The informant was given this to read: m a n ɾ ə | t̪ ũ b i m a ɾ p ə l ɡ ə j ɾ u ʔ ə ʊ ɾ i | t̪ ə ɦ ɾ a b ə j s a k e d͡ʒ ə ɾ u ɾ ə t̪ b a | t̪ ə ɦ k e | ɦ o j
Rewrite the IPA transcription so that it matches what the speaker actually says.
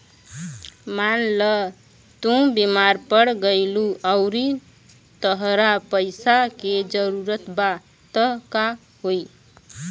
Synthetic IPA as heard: m a n l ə | t̪ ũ b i m a ɾ p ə ɽ ɡ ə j l u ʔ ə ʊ ɾ i | t̪ ə ɦ ɾ a p ə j s a k e d͡ʒ ə ɾ u ɾ ə t̪ b a | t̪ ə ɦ k a | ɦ o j

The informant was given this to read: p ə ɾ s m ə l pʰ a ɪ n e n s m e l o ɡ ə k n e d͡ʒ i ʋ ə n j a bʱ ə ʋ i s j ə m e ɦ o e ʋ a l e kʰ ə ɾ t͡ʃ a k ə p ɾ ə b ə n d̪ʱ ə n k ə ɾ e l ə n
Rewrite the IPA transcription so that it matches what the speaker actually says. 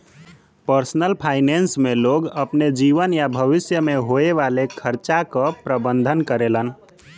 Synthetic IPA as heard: p ə ɾ s n ə l pʰ a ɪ n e n s m e l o ɡ ə p n e d͡ʒ i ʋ ə n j a bʱ ə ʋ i s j ə m e ɦ o e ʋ a l e kʰ ə ɾ t͡ʃ a k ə p ɾ ə b ə n d̪ʱ ə n k ə ɾ e l ə n

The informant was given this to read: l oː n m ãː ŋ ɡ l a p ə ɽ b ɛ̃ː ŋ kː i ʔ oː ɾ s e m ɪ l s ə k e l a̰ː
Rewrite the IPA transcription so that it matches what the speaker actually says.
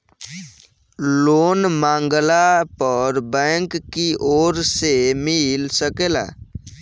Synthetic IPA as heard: l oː n m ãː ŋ ɡ l a p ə ɾ b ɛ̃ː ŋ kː i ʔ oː ɾ s e m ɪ l s ə k e l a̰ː

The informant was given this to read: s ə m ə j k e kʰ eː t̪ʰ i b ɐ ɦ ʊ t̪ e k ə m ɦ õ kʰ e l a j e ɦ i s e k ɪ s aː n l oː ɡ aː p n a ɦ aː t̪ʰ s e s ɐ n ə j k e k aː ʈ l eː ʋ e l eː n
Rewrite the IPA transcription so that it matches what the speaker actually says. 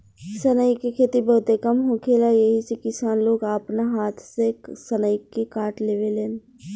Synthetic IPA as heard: s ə n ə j k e kʰ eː t̪ i b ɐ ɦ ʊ t̪ e k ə m ɦ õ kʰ e l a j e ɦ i s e k ɪ s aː n l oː ɡ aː p n a ɦ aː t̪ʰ s e s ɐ n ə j k e k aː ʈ l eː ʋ e l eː n

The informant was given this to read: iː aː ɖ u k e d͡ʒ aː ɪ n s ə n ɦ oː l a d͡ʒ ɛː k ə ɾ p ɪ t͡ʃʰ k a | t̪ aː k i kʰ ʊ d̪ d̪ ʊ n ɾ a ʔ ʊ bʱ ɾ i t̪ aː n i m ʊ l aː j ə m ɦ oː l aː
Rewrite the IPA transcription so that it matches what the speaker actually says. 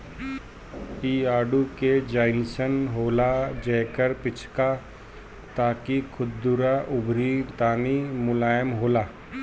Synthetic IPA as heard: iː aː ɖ u k e d͡ʒ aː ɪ n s ə n ɦ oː l a d͡ʒ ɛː k ə ɾ p ɪ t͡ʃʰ k a | t̪ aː k i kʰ ʊ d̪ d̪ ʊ ɾ a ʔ ʊ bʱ ɾ i t̪ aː n i m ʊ l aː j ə m ɦ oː l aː

